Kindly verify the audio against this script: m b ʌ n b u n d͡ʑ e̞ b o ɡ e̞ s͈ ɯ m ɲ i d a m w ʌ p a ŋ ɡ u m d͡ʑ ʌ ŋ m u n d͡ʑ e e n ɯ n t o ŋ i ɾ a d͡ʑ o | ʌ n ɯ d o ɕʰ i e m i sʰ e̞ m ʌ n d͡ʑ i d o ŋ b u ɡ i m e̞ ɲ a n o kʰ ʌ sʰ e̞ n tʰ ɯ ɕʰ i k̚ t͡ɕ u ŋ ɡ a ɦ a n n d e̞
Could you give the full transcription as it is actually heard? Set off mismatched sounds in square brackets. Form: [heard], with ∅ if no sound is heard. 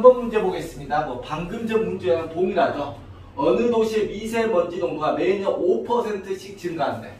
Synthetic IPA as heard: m b ʌ n [m] u n d͡ʑ e̞ b o ɡ e̞ s͈ ɯ m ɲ i d a m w ʌ p a ŋ ɡ [ɯ] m d͡ʑ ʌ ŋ m u n d͡ʑ e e n ɯ n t o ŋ i ɾ a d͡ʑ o | ʌ n ɯ d o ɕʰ i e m i sʰ e̞ m ʌ n d͡ʑ i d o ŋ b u ɡ [a] m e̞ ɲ [ʌ] n o [pʰ] ʌ sʰ e̞ n tʰ ɯ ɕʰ i k̚ t͡ɕ [ɯ] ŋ ɡ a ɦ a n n d e̞